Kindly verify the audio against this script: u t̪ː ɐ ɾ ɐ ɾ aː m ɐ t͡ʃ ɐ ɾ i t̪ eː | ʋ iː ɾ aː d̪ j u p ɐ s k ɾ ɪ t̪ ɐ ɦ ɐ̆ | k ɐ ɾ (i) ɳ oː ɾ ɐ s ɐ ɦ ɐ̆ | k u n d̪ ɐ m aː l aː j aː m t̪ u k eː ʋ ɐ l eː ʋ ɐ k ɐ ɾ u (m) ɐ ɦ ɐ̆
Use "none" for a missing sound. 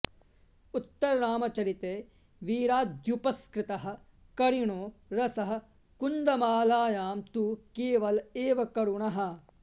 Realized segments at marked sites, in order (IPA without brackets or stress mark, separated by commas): i, ɳ